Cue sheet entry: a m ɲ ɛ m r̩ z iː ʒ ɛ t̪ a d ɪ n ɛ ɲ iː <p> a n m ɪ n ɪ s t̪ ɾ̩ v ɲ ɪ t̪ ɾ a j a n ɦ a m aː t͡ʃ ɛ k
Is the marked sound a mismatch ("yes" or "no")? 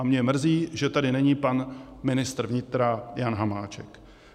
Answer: no